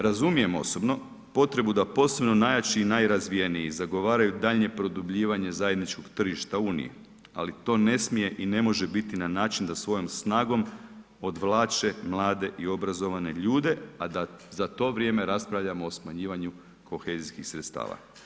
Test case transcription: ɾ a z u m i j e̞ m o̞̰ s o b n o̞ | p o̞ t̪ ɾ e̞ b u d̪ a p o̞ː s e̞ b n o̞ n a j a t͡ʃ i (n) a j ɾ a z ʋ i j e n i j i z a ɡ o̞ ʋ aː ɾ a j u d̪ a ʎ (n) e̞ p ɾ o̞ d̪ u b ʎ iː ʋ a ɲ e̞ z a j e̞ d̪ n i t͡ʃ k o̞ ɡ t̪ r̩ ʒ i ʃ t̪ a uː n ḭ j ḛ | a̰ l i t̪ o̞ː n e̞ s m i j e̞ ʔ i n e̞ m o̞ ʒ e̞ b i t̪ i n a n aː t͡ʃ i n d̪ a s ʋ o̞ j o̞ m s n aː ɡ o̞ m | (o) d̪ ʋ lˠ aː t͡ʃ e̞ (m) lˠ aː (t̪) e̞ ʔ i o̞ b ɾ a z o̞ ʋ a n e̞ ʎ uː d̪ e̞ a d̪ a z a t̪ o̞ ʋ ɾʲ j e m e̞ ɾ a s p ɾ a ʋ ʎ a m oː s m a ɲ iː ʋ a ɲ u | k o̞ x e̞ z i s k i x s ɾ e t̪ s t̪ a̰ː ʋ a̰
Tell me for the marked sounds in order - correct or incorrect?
correct, incorrect, correct, correct, incorrect

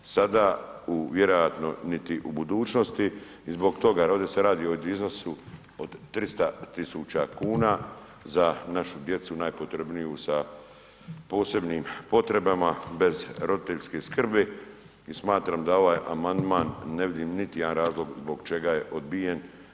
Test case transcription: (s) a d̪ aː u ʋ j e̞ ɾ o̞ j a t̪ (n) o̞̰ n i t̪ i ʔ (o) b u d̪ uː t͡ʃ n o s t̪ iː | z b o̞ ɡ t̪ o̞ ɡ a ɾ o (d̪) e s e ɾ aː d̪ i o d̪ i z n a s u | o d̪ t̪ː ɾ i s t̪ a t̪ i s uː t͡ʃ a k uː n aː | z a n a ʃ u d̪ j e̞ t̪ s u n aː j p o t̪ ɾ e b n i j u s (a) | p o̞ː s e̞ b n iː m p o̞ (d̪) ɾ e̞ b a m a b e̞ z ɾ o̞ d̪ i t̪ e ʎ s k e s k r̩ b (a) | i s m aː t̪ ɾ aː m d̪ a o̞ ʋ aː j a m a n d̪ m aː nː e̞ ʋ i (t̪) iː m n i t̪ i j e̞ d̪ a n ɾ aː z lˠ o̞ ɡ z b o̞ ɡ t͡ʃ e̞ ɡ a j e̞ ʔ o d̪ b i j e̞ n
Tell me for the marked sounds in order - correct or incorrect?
correct, correct, incorrect, correct, correct, incorrect, incorrect, incorrect

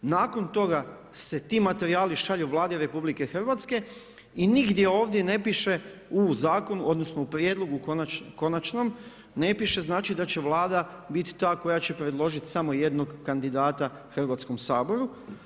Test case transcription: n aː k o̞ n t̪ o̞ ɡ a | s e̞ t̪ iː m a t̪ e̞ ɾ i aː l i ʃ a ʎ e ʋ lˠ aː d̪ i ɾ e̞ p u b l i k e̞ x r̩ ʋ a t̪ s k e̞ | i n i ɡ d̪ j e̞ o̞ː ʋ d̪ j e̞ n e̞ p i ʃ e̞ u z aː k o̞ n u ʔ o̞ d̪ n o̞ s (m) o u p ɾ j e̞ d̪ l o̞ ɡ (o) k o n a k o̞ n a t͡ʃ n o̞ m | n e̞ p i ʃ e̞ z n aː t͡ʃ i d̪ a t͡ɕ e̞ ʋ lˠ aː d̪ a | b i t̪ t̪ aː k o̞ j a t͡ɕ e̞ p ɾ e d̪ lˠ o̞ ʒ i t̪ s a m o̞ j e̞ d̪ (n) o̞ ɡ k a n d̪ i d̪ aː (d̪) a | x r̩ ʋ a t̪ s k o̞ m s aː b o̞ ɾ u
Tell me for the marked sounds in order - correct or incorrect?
incorrect, incorrect, correct, incorrect

